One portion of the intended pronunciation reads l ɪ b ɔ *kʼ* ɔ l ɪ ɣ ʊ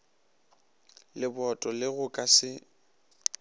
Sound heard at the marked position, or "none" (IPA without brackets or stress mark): tʼ